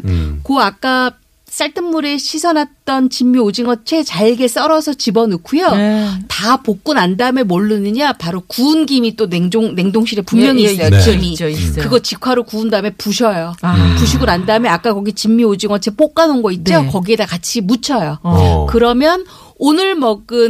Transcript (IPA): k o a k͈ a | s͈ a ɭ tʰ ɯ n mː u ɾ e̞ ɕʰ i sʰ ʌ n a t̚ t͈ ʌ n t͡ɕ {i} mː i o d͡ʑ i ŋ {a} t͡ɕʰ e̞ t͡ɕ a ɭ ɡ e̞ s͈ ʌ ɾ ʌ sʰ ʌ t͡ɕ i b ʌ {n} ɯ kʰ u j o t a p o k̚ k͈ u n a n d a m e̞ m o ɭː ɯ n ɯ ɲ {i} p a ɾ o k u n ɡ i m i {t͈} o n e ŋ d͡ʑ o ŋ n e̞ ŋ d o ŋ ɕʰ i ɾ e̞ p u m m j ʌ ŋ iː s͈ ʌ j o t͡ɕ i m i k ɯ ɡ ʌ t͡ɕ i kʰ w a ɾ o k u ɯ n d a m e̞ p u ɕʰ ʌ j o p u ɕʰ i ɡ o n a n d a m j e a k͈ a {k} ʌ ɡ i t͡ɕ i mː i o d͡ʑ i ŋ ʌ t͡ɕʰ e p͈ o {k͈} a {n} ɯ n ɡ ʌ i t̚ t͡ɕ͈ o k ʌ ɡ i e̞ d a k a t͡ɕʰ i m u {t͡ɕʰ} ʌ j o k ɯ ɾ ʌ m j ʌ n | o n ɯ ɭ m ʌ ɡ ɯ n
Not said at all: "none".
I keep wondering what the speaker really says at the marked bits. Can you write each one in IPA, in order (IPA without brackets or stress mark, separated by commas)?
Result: i, ʌ, n, a, t͈, k, k͈, n, t͡ɕʰ